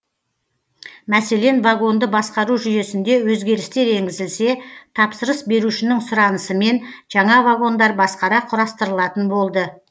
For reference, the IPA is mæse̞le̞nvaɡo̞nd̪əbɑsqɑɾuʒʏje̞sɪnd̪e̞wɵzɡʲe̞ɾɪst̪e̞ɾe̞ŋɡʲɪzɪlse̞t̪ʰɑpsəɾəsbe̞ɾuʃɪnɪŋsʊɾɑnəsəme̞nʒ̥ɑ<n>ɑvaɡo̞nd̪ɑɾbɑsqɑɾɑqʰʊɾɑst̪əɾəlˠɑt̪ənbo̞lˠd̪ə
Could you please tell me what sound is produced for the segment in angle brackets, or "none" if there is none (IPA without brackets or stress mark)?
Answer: ɴ